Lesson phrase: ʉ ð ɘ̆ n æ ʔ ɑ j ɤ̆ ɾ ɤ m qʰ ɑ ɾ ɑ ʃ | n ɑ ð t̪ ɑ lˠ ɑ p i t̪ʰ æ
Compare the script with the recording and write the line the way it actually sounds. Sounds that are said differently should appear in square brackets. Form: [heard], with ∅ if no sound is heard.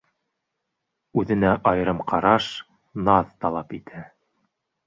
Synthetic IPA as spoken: ʉ ð ɘ̆ n æ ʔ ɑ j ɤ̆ ɾ ɤ m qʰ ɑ ɾ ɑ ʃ | n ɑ ð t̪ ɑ lˠ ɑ p i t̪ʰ æ